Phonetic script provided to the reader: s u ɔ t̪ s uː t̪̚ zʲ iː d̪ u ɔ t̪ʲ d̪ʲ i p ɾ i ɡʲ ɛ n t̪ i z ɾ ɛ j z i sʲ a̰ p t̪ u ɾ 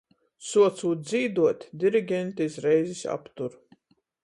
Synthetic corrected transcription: s u ɔ t̪ s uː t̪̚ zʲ iː d̪ u ɔ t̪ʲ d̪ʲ i ɾ i ɡʲ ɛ n t̪ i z ɾ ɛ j z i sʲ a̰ p t̪ u ɾ